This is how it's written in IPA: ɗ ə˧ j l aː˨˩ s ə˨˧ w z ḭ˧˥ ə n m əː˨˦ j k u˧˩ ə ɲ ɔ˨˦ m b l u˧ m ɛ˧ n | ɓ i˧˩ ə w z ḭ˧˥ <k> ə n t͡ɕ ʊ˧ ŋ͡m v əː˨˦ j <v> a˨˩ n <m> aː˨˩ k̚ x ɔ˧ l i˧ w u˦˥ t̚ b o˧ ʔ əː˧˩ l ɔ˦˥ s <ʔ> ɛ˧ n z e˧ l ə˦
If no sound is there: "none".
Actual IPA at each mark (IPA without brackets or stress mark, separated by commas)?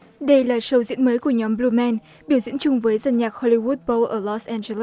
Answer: none, z, ɲ, ʔ